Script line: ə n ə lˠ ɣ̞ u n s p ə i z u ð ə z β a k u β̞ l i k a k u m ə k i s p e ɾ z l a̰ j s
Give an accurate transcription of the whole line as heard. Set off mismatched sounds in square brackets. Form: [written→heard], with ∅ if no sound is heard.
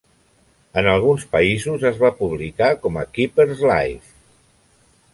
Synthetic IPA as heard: ə n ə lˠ ɣ̞ u n s p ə i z u [ð→z] ə z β a [k→p] u β̞ l i k a k [u→ɔ] m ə k i [s→∅] p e ɾ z l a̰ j [s→f]